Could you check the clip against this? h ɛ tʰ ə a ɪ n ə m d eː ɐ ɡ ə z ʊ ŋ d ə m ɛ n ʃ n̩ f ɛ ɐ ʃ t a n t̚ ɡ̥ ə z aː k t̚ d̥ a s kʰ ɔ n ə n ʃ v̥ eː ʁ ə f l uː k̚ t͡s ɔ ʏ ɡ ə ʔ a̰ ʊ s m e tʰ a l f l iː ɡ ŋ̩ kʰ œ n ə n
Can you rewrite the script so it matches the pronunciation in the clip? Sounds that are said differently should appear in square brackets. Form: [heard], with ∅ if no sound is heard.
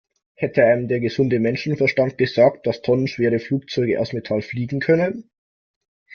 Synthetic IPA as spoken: h ɛ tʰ ə a ɪ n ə m d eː ɐ ɡ ə z ʊ [n] d ə m ɛ n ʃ n̩ f ɛ ɐ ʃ t a n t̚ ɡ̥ ə z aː k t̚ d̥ a s [tʰ] ɔ n ə n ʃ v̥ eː ʁ ə f l uː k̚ t͡s ɔ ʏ ɡ ə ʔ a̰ ʊ s m e tʰ a l f l iː ɡ ŋ̩ kʰ œ n ə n